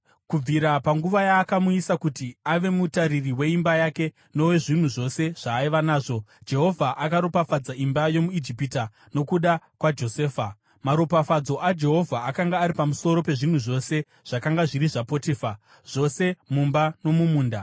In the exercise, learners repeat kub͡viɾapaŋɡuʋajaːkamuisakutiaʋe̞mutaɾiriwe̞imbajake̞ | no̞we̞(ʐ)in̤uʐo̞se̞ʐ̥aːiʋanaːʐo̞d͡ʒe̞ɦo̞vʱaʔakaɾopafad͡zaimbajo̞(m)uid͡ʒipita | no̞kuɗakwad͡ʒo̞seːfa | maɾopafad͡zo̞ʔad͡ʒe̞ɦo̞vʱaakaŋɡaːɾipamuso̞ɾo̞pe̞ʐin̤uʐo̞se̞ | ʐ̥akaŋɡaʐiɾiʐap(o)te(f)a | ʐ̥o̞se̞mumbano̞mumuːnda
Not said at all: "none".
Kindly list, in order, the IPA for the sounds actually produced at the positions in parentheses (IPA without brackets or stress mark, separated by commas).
ʐ, m, o, f